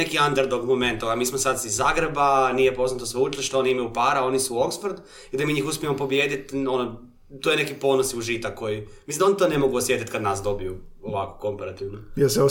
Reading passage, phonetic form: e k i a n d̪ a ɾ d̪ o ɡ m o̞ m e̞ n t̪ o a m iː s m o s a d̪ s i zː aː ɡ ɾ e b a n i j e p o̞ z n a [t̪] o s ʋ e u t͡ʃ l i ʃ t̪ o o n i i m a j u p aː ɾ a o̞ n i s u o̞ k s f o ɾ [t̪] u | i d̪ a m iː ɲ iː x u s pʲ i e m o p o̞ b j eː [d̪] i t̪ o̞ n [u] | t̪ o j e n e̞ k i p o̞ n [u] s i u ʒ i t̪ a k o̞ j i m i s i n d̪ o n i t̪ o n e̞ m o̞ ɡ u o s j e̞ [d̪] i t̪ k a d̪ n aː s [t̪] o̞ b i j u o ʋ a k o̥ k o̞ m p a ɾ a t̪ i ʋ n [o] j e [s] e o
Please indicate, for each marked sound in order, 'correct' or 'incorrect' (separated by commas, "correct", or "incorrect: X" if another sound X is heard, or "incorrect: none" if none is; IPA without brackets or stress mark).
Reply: correct, incorrect: d̪, correct, incorrect: o, incorrect: o, incorrect: t̪, incorrect: d̪, correct, correct